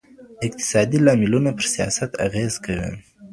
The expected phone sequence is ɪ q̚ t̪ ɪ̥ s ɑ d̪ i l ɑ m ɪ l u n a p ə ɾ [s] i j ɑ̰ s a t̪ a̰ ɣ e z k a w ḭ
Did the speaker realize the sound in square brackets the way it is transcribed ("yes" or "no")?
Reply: yes